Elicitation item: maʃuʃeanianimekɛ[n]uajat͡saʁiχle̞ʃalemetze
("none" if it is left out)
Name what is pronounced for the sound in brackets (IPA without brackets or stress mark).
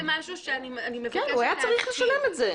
n